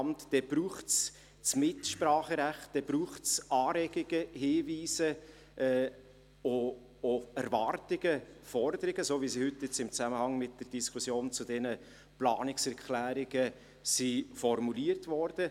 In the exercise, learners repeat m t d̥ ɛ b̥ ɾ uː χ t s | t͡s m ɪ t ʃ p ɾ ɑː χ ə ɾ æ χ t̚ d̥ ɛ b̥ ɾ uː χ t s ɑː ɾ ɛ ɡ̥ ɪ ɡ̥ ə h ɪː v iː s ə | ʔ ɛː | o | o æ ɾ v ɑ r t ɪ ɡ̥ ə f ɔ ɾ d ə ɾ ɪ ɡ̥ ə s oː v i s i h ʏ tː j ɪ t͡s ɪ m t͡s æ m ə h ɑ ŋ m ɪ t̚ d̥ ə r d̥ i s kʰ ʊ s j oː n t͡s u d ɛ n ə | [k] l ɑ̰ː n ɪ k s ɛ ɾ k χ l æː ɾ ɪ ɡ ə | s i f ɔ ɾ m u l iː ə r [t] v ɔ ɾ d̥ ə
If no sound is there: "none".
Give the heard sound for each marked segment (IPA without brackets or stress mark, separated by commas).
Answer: p, t